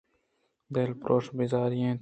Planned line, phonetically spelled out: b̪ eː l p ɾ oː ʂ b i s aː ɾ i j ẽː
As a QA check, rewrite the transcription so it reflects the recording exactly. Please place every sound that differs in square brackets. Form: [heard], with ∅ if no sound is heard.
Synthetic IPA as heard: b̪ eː l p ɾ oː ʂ b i [z] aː ɾ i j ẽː